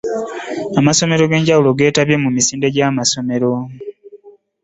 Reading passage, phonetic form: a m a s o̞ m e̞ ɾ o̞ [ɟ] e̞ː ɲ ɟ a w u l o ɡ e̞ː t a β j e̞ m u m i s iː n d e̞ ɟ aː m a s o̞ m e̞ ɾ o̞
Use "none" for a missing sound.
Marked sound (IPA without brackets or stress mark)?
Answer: ɡ